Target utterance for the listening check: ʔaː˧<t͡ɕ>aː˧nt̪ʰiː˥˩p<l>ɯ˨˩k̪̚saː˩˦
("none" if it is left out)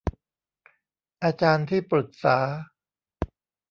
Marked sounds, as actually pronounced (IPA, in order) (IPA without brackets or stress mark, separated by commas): t͡ɕ, ɾ